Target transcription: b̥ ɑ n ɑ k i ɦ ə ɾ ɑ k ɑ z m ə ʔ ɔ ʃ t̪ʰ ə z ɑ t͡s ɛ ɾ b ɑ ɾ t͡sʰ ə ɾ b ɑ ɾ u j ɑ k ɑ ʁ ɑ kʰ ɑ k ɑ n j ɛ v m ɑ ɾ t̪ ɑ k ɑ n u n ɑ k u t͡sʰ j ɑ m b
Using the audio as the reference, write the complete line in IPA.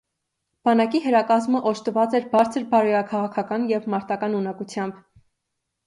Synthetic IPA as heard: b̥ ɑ n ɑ k i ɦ ə ɾ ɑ k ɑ z m ə ʔ ɔ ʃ t̪ ə v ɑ t͡s ɛ ɾ b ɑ ɾ t͡sʰ ə ɾ b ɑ ɾ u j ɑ kʰ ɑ ʁ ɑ kʰ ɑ k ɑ n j ɛ v m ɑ ɾ t̪ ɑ k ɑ n u n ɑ k u t͡sʰ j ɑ m b